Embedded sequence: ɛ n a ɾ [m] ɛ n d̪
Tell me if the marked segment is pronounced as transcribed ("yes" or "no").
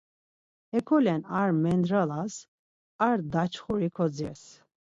yes